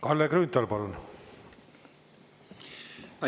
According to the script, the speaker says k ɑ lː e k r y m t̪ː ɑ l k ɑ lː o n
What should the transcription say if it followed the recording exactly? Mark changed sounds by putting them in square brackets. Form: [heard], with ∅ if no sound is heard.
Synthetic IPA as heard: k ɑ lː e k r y [n] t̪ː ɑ l [p] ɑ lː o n